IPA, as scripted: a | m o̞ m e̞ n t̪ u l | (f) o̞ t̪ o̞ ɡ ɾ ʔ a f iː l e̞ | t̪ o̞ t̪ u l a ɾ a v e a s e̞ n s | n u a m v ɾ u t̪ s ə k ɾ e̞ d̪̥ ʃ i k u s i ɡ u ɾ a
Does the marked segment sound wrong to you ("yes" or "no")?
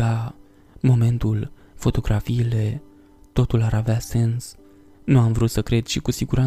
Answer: no